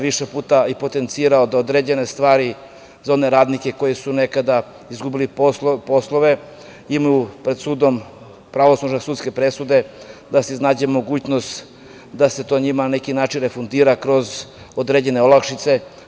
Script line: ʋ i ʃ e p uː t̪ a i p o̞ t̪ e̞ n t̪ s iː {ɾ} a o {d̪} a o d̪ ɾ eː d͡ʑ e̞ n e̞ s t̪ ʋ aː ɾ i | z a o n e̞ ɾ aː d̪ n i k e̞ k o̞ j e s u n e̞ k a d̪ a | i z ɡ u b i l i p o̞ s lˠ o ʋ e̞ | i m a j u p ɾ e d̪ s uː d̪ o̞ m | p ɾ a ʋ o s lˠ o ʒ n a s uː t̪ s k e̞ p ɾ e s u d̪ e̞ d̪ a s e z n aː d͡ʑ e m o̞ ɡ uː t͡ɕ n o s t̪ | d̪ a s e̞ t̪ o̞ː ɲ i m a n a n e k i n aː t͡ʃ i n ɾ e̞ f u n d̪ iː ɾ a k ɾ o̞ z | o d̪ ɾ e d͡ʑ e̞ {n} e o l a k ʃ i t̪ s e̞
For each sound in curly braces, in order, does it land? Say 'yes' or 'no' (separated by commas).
yes, yes, yes